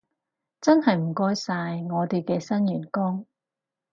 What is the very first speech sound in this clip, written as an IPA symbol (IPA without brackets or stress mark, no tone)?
t͡s